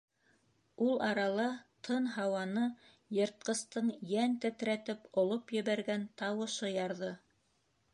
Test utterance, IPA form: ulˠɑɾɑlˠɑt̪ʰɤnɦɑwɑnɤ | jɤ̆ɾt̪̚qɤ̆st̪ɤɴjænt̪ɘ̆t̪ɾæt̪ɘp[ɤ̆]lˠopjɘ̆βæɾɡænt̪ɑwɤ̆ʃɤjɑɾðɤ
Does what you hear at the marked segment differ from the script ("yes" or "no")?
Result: yes